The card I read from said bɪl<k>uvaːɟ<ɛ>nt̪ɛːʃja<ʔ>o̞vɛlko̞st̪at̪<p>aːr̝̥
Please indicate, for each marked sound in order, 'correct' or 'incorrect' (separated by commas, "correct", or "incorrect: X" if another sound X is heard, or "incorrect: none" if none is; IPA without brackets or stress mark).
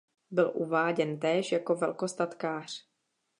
incorrect: ʔ, correct, incorrect: k, incorrect: k